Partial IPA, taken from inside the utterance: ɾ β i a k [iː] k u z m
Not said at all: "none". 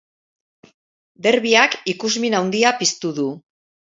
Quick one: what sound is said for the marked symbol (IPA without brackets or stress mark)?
i